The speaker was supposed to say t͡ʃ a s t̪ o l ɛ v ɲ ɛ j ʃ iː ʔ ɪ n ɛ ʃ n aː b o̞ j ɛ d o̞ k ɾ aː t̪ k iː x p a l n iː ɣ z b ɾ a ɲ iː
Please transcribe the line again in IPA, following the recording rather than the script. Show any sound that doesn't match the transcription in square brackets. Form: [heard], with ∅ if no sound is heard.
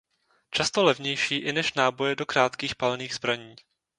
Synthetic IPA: t͡ʃ a s t̪ o l ɛ v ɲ ɛ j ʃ iː ʔ ɪ n ɛ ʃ n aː b o̞ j ɛ d o̞ k ɾ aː t̪ k iː x p a l n iː ɣ z b ɾ a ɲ iː